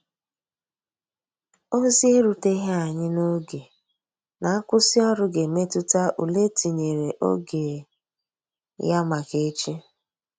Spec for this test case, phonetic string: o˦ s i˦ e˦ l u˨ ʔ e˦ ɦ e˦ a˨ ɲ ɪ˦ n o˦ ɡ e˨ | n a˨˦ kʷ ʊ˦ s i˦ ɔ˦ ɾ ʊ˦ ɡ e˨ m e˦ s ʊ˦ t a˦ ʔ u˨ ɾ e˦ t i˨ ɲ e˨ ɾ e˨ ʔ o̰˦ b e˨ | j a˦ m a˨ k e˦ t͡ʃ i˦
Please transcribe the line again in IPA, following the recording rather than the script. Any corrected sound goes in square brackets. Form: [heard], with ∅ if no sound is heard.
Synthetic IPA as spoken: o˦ [z] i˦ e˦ [ɾ] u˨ [t] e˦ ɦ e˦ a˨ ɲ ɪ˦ n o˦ ɡ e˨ | n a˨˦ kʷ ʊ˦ s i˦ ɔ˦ ɾ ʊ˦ ɡ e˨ m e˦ [t] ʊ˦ t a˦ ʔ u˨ [l] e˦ t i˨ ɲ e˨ ɾ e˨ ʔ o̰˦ [ɡ] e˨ | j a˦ m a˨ k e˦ t͡ʃ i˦